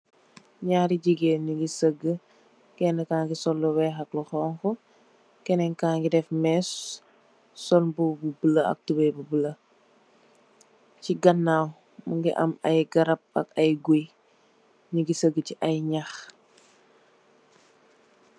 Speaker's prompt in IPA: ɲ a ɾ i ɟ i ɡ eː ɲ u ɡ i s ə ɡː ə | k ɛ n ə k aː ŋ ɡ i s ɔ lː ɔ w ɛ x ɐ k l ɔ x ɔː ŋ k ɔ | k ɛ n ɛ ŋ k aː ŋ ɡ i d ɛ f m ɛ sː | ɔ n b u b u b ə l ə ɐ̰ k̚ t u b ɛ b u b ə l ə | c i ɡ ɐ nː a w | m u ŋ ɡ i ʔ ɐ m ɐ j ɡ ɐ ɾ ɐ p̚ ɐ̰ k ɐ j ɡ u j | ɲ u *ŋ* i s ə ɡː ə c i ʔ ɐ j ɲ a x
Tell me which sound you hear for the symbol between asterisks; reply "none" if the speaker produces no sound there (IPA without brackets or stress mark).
ɡ